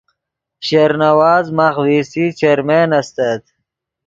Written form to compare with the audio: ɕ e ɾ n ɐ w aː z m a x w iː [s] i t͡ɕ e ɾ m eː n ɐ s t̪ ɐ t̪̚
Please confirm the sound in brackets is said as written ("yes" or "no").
yes